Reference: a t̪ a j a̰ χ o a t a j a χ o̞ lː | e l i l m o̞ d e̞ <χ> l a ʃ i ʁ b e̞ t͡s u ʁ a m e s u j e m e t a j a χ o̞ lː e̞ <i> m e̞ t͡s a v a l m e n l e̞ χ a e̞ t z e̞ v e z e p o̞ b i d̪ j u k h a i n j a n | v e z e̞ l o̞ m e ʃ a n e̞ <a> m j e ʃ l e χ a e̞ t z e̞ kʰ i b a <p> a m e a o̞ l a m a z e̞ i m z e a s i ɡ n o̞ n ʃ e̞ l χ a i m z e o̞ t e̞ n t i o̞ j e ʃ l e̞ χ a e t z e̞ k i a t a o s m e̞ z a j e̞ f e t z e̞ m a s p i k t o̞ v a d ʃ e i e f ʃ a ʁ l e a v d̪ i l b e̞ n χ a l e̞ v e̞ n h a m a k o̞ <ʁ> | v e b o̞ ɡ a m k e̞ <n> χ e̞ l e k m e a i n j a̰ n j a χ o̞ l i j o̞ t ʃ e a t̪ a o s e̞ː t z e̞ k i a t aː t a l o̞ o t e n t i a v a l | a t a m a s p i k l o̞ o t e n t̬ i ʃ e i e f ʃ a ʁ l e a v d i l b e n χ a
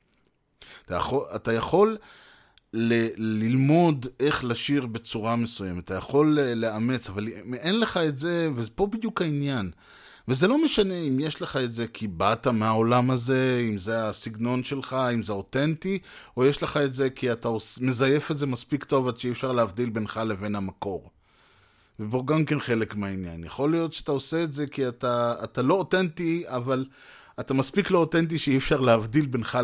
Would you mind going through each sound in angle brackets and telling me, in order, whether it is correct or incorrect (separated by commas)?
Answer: correct, incorrect, incorrect, incorrect, correct, correct